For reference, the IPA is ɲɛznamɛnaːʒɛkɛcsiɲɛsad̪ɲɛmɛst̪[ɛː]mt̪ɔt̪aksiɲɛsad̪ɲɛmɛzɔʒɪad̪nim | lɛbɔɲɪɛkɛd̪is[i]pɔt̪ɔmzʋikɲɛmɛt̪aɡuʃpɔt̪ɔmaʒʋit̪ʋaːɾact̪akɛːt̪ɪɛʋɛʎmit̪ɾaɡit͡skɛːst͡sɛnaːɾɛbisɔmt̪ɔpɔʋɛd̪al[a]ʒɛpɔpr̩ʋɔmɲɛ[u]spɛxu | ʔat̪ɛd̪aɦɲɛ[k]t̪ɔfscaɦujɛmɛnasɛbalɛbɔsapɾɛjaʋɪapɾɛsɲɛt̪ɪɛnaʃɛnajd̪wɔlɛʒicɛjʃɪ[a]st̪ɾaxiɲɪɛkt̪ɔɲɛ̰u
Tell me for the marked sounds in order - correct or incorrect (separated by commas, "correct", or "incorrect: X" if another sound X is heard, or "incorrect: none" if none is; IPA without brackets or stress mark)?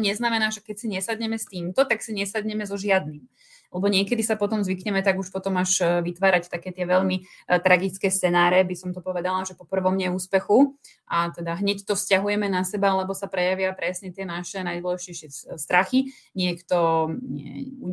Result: incorrect: iː, incorrect: a, correct, incorrect: uː, incorrect: c, incorrect: ɛ